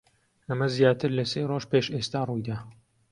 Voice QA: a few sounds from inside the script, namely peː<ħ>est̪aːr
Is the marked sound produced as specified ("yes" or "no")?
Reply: no